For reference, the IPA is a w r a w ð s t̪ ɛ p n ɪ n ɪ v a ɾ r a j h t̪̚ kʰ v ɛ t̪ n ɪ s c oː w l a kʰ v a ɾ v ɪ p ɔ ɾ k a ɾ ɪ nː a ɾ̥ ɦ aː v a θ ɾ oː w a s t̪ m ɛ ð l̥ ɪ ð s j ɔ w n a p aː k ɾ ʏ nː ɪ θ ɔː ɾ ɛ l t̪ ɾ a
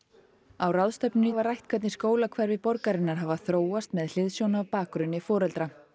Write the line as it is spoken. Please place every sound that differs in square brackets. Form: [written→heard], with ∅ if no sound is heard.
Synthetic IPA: a w r a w ð s t̪ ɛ p n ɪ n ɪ v a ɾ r a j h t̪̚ kʰ v ɛ t̪ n ɪ s [c→k] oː w l a kʰ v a ɾ v ɪ p ɔ ɾ k a ɾ ɪ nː a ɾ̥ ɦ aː v a θ ɾ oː w a s t̪ m ɛ ð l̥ ɪ ð s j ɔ w n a p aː k ɾ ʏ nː ɪ [θ→f] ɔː ɾ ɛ l t̪ ɾ a